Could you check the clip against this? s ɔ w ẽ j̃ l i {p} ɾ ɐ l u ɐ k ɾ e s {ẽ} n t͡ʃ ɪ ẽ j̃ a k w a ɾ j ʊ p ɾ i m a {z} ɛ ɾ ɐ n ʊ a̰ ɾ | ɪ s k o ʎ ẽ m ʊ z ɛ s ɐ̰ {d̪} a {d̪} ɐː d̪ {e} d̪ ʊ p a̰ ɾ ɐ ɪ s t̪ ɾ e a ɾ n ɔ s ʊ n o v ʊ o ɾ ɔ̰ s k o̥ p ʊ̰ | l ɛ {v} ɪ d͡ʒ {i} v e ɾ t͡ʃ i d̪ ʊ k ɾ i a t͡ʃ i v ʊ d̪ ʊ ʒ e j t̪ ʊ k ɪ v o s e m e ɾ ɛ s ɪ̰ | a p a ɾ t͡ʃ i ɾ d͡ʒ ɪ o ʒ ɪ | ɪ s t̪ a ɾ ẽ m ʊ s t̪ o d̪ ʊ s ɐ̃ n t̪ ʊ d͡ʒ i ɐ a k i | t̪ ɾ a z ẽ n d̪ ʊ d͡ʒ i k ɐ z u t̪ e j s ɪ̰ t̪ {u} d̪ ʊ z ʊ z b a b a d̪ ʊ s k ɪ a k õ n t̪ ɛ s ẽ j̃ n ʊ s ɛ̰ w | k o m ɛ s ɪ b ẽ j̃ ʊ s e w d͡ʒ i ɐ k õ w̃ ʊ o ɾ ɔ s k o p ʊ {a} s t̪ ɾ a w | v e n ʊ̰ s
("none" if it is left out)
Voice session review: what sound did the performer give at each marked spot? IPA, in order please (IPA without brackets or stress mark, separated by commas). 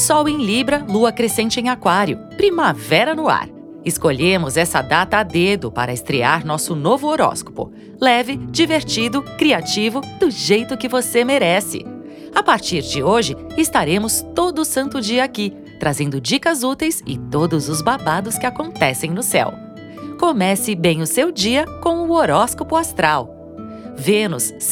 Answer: b, ẽ, v, d̪, t̪, e, v, i, o, a